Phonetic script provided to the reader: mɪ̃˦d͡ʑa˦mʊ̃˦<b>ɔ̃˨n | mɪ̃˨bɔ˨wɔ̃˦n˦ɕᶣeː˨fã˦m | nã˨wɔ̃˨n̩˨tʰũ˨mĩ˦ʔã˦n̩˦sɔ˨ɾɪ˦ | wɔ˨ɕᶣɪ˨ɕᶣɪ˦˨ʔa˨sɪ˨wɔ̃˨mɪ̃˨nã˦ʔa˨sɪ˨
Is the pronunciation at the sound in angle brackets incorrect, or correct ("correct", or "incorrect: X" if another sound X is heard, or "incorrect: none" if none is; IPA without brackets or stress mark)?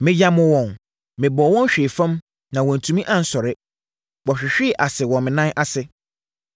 incorrect: w